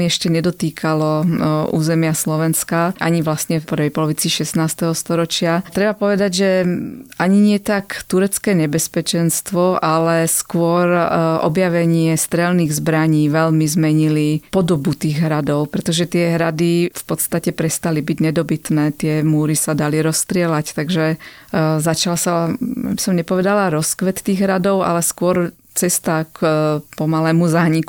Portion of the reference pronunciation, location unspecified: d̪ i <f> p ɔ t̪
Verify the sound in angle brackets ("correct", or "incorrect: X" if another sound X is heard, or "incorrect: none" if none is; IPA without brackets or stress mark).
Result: correct